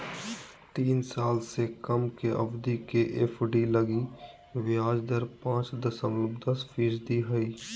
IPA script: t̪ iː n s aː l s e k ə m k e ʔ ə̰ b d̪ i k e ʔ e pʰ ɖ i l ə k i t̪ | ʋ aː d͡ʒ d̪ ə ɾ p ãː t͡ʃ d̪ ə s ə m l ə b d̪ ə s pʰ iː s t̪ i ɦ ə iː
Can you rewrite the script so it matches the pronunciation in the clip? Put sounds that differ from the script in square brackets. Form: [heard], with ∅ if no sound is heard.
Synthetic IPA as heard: t̪ iː n s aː l s e k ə m k e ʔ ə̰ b d̪ i k e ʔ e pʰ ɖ i l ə [ɡ] i [∅] | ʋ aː d͡ʒ d̪ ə ɾ p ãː t͡ʃ d̪ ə s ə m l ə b d̪ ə s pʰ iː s [d̪] i ɦ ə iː